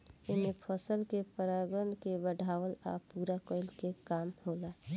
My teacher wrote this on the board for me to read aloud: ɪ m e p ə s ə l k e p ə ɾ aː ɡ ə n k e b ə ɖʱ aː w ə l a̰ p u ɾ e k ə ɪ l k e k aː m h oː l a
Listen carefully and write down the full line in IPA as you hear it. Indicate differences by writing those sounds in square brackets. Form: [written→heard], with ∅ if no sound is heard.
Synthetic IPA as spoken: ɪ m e [p→pʰ] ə s ə l k e p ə ɾ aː ɡ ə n k e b ə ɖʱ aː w ə l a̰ p u ɾ [e→a] k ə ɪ l k e k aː m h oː l a